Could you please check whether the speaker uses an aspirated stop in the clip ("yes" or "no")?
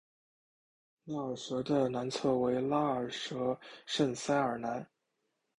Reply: yes